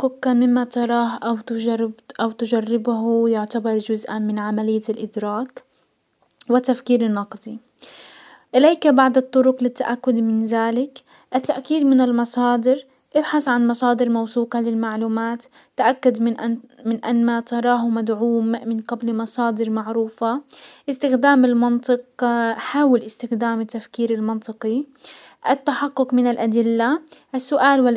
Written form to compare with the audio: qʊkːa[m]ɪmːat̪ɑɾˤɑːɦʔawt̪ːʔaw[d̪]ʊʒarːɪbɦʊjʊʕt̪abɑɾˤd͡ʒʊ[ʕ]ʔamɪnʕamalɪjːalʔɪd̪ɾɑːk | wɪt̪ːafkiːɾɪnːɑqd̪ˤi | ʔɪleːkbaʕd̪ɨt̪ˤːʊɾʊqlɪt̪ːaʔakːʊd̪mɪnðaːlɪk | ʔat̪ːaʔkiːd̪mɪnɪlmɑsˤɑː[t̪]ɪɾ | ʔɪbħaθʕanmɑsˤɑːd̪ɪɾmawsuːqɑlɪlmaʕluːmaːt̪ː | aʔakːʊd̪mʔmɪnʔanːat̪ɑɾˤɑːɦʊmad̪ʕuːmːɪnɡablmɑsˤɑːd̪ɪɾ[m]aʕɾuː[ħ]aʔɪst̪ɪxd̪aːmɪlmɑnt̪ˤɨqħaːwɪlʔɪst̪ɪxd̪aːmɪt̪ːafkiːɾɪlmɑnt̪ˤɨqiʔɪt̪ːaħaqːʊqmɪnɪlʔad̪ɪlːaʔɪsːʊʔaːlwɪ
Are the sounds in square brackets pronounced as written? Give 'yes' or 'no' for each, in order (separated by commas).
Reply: yes, no, no, no, yes, no